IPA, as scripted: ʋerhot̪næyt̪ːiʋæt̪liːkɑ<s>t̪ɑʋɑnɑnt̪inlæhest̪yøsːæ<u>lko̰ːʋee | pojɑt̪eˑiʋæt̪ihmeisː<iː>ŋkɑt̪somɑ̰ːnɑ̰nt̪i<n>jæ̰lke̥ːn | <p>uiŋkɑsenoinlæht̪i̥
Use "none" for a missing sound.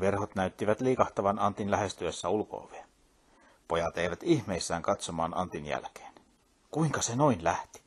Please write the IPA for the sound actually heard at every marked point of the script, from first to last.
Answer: h, u, æː, n, k

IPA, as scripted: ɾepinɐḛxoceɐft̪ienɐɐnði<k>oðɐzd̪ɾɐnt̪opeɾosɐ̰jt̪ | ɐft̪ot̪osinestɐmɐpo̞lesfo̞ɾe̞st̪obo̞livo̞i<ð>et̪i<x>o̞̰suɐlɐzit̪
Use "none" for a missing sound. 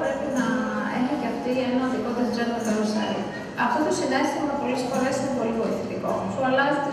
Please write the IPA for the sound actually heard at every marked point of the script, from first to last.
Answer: k, θ, k

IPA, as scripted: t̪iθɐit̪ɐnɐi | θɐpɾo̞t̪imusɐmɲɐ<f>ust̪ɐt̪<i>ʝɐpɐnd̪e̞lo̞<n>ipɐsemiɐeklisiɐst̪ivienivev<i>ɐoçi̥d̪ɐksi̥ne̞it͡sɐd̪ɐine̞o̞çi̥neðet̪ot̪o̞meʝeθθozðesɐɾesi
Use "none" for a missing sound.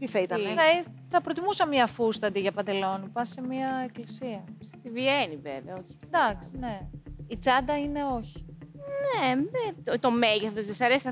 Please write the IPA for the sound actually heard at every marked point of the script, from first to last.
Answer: f, i, n, e

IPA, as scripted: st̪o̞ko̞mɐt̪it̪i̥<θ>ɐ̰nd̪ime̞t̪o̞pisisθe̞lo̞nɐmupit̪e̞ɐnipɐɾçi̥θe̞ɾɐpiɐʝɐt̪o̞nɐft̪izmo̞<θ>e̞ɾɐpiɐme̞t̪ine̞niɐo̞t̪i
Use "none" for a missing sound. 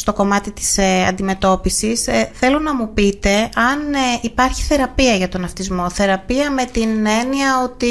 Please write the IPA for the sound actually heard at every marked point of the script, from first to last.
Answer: s, θ

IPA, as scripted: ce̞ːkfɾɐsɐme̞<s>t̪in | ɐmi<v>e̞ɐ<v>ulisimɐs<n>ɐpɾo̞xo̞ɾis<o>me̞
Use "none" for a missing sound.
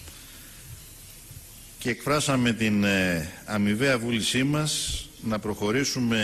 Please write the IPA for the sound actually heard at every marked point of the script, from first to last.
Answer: none, v, v, n, u

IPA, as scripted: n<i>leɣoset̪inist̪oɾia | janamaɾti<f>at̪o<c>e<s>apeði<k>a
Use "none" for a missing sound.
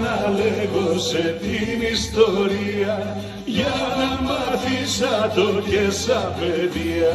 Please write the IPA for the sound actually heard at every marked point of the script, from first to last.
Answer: a, s, k, s, none

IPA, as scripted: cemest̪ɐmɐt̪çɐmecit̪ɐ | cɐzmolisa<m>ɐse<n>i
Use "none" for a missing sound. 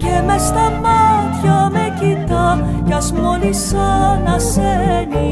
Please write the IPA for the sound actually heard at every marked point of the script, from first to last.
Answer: n, n

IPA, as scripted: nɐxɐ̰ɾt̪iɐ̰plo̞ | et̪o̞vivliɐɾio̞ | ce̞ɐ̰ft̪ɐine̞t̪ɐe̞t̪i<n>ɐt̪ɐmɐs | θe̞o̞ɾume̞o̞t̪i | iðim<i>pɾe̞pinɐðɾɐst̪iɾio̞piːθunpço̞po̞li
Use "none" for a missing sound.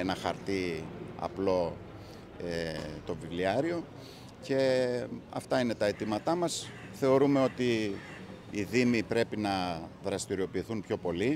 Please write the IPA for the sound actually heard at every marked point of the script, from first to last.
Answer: m, i

